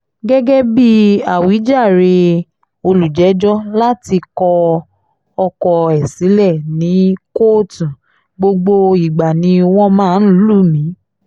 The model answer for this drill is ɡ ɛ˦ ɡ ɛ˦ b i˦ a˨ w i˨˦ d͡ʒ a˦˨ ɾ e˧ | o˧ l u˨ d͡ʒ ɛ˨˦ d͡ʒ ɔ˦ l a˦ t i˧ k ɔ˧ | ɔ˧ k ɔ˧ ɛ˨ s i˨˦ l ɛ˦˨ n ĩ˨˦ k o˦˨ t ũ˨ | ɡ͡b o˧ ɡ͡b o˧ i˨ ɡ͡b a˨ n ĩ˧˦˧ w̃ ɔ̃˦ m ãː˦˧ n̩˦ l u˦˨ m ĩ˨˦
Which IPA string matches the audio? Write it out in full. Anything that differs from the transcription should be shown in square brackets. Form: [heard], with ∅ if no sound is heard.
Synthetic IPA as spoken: ɡ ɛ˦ ɡ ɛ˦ b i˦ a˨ w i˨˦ d͡ʒ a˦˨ ɾ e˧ | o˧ l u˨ d͡ʒ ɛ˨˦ d͡ʒ ɔ˦ l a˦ t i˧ k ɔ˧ | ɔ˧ k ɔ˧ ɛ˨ s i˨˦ l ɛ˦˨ n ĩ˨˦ k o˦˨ t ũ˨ | ɡ͡b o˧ ɡ͡b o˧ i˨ ɡ͡b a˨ n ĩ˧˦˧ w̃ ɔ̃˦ m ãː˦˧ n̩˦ l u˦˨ m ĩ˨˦